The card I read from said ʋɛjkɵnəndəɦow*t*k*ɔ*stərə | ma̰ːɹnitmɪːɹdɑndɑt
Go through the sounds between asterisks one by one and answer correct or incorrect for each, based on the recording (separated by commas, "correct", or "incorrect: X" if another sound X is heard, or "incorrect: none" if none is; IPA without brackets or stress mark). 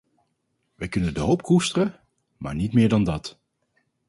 incorrect: p, incorrect: u